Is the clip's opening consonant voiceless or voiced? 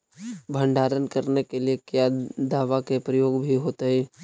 voiced